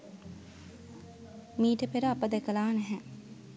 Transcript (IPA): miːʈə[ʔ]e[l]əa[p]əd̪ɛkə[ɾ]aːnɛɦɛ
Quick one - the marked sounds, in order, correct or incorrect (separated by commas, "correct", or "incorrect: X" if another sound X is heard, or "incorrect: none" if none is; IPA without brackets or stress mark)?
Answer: incorrect: p, incorrect: ɾ, correct, incorrect: l